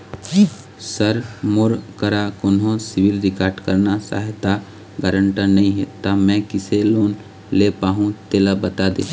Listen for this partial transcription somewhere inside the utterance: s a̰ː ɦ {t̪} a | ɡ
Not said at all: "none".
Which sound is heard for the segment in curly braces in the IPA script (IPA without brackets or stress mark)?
t̪